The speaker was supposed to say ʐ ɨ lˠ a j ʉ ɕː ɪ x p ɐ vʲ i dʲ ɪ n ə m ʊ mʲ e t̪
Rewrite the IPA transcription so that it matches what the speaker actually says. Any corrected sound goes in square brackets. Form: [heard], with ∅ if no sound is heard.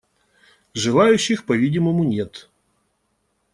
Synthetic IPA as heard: ʐ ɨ lˠ a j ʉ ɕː ɪ x p ɐ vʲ i dʲ ɪ [m] ə m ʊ [nʲ] e t̪